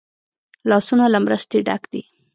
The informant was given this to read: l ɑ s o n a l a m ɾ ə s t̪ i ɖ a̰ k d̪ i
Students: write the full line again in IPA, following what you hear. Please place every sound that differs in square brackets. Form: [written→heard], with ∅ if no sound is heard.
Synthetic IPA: l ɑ s [o→u] n a l a m ɾ ə s t̪ [i→e] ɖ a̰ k d̪ i